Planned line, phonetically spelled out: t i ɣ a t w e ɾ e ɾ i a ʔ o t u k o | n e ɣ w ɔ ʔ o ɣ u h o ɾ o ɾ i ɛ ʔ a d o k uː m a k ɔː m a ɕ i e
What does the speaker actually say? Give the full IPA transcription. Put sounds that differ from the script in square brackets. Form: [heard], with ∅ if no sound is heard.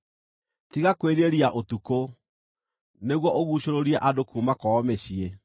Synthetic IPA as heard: t i ɣ a [k] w e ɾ e ɾ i a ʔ o t u k o | n e ɣ w ɔ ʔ o ɣ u [ɕ] o ɾ o ɾ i ɛ ʔ a d o k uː m a k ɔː m [e] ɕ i e